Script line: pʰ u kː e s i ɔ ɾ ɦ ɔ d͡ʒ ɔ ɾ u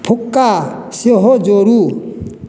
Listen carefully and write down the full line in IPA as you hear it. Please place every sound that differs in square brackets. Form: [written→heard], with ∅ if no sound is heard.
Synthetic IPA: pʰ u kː [e→a] s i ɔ [ɾ→∅] ɦ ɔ d͡ʒ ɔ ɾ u